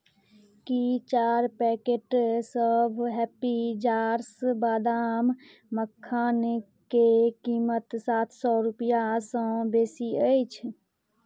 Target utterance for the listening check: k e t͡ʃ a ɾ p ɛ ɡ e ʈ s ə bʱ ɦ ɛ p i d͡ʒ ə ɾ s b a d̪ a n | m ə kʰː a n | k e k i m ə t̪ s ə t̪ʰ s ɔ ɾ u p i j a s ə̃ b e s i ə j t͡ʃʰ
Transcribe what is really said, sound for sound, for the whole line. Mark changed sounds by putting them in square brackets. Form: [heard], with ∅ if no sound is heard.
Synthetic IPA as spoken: k [i] t͡ʃ a ɾ p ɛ [k] e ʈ s ə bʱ ɦ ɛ p i d͡ʒ [a] ɾ s b a d̪ a [m] | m ə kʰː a n | k e k i m ə t̪ s [a] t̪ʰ s ɔ ɾ u p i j a s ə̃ b e s i ə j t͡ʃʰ

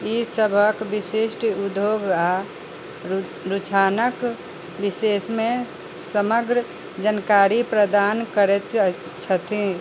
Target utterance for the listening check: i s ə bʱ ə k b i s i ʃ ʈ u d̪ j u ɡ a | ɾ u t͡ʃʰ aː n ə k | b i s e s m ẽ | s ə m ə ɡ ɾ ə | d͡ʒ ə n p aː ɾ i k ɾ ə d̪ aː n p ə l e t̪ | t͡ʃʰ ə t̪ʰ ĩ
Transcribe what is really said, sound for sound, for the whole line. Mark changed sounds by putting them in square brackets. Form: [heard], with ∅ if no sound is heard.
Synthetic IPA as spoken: i s ə bʱ ə k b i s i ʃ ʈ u d̪ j [o] ɡ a | ɾ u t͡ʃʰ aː n ə k | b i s e s m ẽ | s ə m ə ɡ ɾ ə | d͡ʒ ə n [k] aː ɾ i [p] ɾ ə d̪ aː n [k] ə [ɾ] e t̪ | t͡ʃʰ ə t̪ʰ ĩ

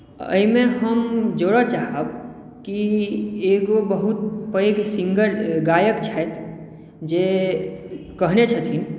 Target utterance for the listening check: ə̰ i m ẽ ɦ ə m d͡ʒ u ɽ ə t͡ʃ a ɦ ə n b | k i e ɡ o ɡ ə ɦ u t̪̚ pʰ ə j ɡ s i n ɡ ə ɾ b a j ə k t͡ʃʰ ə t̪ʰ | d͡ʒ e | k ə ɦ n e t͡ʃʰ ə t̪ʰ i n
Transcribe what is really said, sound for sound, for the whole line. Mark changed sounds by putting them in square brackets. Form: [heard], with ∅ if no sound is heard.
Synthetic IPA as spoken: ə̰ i m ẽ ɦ ə m d͡ʒ [o] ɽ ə t͡ʃ a ɦ ə [∅] b | k i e ɡ o [b] ə ɦ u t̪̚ [p] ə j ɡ s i [ŋ] ɡ ə ɾ [ɡ] a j ə k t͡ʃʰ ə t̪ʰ | d͡ʒ e | k ə ɦ n e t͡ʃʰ ə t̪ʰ i n

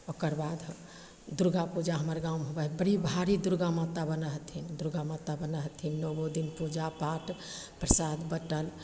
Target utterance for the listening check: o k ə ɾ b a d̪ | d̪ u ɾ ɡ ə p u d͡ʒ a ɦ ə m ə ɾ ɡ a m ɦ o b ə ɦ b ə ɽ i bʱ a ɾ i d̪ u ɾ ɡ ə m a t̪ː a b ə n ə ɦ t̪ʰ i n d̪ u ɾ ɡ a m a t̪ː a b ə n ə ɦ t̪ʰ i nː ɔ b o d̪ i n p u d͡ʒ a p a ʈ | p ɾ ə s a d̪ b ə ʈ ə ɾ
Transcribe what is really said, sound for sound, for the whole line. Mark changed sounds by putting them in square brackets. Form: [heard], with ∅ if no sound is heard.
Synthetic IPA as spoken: o k ə ɾ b a d̪ | d̪ u ɾ ɡ [a] p u d͡ʒ a ɦ ə m ə ɾ ɡ a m ɦ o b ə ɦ b ə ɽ i bʱ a ɾ i d̪ u ɾ ɡ [a] m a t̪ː a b ə n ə ɦ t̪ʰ i n d̪ u ɾ ɡ a m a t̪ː a b ə n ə ɦ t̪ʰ i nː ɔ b o d̪ i n p u d͡ʒ a p a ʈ | p ɾ ə s a d̪ b ə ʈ ə [l]

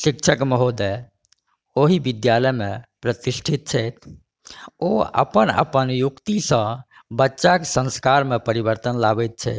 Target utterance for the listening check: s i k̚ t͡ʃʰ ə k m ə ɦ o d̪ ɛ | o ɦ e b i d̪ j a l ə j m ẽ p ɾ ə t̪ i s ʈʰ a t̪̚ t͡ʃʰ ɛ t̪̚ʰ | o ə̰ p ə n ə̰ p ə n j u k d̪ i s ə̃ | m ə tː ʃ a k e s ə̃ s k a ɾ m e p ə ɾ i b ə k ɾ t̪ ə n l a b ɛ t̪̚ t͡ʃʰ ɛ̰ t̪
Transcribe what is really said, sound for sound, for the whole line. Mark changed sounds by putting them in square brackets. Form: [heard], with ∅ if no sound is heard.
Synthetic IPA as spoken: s i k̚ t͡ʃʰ ə k m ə ɦ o d̪ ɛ | o ɦ [i] b i d̪ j a l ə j m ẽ p ɾ ə t̪ i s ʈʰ [i] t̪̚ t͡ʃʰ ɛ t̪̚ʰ | o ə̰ p ə n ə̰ p ə n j u k [t̪] i s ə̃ | [b] ə tː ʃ a k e s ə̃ s k a ɾ m e p ə ɾ i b ə [∅] ɾ t̪ ə n l a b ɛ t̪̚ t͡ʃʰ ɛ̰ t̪

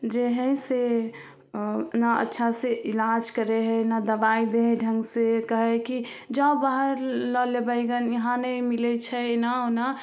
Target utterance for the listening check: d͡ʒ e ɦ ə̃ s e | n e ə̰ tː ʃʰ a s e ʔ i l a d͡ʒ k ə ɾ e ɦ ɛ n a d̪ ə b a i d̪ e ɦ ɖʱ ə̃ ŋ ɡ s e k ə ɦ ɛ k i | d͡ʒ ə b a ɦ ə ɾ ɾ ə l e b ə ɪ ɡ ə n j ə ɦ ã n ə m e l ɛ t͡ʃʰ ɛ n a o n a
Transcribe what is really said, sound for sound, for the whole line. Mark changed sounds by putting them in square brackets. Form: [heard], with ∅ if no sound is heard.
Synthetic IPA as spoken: d͡ʒ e ɦ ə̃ s e | n [a] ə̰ tː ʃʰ a s e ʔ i l a d͡ʒ k ə ɾ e ɦ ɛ n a d̪ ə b a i d̪ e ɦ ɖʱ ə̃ ŋ ɡ s e k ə ɦ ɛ k i | d͡ʒ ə b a ɦ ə ɾ [l] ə l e b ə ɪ ɡ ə n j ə ɦ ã n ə m [i] l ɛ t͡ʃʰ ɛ n a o n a

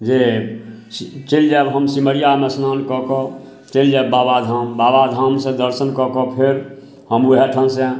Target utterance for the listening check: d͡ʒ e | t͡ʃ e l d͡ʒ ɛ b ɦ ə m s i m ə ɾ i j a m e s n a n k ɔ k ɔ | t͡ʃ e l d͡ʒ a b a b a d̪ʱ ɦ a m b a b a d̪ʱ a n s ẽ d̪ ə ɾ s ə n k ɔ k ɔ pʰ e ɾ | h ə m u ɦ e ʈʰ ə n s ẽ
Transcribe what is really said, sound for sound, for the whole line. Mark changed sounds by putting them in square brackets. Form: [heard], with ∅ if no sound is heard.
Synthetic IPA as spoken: d͡ʒ e | t͡ʃ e l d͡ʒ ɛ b ɦ ə m s i m ə ɾ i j a m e s n a n k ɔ k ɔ | t͡ʃ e l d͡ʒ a b a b a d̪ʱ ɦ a m b a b a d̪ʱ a [m] s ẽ d̪ ə ɾ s ə n k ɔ k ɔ pʰ e ɾ | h ə m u ɦ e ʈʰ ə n s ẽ

